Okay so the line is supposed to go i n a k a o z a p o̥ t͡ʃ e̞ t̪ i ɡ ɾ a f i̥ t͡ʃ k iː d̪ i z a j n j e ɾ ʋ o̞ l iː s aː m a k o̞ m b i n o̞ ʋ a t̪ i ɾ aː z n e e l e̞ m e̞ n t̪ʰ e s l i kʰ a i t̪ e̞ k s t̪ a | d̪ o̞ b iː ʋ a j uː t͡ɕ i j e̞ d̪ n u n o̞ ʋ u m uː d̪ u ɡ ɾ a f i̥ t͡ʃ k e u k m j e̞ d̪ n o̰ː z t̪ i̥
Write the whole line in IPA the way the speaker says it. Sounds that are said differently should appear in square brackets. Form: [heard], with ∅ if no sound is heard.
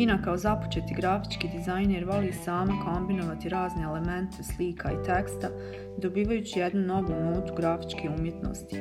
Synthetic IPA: i n a k a o z a p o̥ t͡ʃ e̞ t̪ i ɡ ɾ a f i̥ t͡ʃ k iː d̪ i z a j n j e ɾ ʋ o̞ l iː s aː m a k o̞ m b i n o̞ ʋ a t̪ i ɾ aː z n e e l e̞ m e̞ n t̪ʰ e s l i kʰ a i t̪ e̞ k s t̪ a | d̪ o̞ b iː ʋ a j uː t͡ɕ i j e̞ d̪ n u n o̞ ʋ u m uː [t̪] u ɡ ɾ a f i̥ t͡ʃ k e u [∅] m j e̞ [t̪] n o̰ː [s] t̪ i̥